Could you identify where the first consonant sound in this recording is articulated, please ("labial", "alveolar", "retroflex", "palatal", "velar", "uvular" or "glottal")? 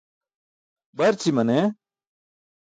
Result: labial